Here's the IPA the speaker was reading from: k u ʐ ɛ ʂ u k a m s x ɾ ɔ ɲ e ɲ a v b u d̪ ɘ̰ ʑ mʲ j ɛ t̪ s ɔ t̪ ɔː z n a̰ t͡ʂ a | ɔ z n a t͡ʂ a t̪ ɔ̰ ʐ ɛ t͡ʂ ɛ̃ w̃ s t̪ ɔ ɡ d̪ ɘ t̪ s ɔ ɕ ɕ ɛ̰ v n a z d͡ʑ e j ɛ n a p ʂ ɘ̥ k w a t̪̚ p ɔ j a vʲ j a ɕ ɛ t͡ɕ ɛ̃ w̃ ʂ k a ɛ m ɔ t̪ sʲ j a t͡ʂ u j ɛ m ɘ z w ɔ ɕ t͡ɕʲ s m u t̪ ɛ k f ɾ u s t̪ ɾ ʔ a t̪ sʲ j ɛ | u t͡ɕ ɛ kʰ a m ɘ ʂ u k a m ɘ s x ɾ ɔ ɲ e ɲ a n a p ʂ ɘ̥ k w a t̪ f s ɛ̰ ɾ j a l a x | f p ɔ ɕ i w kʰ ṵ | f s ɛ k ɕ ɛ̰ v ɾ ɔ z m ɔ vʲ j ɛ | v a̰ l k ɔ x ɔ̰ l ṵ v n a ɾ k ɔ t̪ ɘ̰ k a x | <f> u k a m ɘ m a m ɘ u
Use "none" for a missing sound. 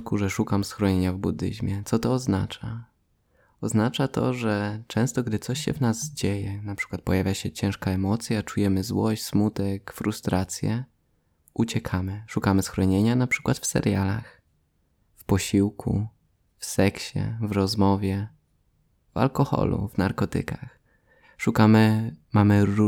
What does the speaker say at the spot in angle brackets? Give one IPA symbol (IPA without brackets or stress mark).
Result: ʂ